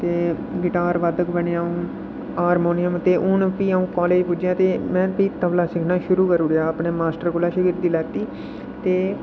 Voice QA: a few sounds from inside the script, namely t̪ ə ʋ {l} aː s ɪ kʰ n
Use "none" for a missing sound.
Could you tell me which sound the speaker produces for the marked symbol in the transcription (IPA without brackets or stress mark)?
l